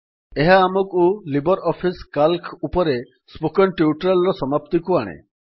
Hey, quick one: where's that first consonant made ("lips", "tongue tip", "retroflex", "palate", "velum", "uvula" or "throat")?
throat